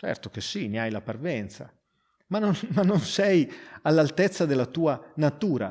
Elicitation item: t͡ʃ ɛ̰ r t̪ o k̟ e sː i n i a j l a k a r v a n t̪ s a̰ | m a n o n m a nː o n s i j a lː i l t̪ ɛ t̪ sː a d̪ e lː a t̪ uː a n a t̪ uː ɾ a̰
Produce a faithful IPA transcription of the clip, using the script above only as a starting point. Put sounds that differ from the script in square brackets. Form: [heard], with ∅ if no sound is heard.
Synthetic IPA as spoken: t͡ʃ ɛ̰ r t̪ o k̟ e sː i n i a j l a [p] a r v [ɛ] n t̪ s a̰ | m a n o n m a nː o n s [ɛ] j a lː [a] l t̪ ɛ t̪ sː a d̪ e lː a t̪ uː a n a t̪ uː ɾ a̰